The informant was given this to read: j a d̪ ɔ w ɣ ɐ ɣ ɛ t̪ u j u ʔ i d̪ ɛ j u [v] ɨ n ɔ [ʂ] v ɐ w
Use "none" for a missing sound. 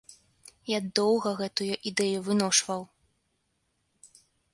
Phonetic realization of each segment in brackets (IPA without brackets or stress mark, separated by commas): v, ʂ